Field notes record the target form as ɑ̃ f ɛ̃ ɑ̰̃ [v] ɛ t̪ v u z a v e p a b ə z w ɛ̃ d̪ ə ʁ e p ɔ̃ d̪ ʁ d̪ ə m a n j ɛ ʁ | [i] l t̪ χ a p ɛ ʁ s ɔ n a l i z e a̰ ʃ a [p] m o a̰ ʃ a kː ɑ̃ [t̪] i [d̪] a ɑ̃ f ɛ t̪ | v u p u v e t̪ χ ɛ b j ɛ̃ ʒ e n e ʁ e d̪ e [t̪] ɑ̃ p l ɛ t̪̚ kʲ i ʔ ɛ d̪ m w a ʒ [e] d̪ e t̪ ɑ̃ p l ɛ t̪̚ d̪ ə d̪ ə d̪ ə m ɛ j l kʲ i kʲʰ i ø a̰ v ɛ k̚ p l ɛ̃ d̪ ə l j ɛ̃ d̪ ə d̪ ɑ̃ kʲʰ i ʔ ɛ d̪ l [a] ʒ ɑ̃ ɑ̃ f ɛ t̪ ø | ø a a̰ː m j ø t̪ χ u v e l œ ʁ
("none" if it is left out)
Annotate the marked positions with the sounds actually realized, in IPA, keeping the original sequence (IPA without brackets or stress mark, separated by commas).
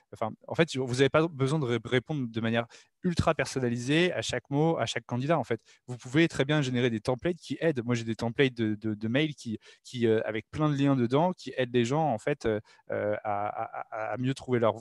f, y, k, d̪, d̪, t̪, e, e